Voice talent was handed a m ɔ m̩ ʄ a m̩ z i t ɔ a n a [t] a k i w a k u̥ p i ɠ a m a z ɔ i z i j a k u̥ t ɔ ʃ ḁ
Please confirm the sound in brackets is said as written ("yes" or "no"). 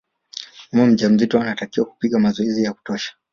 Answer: yes